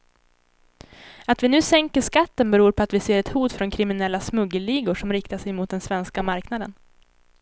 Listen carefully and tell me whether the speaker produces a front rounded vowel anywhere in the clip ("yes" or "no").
no